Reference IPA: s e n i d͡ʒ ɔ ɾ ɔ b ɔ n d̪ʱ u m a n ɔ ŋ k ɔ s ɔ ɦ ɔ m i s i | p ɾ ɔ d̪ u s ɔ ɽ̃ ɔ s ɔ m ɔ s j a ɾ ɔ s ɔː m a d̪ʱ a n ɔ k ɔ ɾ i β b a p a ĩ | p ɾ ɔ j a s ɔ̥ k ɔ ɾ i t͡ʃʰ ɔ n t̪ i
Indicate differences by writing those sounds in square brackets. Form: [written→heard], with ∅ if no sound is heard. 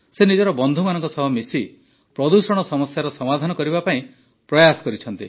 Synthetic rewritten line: s e n i d͡ʒ ɔ ɾ ɔ b ɔ n d̪ʱ u m a n ɔ ŋ k ɔ s ɔ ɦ ɔ m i s i | p ɾ ɔ d̪ u s ɔ ɽ̃ ɔ s ɔ m ɔ s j a ɾ ɔ s [ɔː→ɔ] m a d̪ʱ a n ɔ k ɔ ɾ i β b a p a ĩ | p ɾ ɔ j a s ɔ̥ k ɔ ɾ i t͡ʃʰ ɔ n t̪ i